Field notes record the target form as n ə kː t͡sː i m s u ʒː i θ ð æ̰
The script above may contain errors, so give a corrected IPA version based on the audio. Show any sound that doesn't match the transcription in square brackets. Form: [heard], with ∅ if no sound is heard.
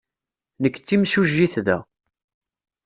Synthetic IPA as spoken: n ə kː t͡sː i m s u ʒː i θ ð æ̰